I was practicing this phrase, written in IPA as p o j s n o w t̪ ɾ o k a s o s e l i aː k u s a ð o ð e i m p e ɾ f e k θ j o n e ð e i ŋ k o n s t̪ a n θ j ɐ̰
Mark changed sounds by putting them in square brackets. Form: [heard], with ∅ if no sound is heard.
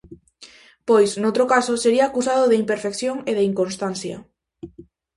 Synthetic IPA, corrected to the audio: p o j s n o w t̪ ɾ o k a s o s e [ɾ] i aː k u s a ð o ð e i m p e ɾ f e k θ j o [ŋ] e ð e i ŋ k o n s t̪ a n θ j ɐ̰